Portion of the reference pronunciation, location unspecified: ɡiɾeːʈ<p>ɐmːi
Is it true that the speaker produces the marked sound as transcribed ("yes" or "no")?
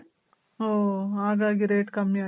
no